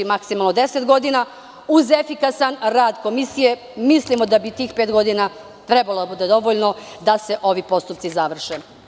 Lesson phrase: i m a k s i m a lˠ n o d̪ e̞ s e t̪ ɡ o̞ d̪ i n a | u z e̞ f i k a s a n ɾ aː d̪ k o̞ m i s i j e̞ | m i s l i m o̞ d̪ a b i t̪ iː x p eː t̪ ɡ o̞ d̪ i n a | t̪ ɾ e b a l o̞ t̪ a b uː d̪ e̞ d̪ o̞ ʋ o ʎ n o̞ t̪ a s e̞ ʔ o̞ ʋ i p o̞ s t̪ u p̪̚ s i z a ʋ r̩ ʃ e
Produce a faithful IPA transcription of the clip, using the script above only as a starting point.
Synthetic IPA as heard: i m a k s i m a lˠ n o d̪ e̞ s e t̪ ɡ o̞ d̪ i n a | u z e̞ f i k a s a n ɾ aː d̪ k o̞ m i s i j e̞ | m i s l i m o̞ d̪ a b i t̪ iː x p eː t̪ ɡ o̞ d̪ i n a | t̪ ɾ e b a l o̞ d̪ a b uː d̪ e̞ d̪ o̞ ʋ o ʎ n o̞ d̪ a s e̞ ʔ o̞ ʋ i p o̞ s t̪ u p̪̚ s i z a ʋ r̩ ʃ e